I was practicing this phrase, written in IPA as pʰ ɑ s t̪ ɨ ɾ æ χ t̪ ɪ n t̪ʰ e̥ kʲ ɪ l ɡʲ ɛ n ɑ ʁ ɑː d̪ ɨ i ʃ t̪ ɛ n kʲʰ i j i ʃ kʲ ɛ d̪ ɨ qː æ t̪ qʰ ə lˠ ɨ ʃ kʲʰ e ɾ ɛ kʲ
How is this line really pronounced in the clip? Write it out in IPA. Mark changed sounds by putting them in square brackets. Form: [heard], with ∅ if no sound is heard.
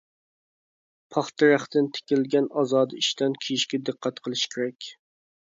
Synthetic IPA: pʰ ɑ [χ] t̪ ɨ ɾ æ χ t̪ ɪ n t̪ʰ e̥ kʲ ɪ l ɡʲ ɛ n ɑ [z] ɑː d̪ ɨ i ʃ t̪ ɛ n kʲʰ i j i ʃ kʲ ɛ d̪ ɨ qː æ t̪ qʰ ə lˠ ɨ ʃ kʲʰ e ɾ ɛ kʲ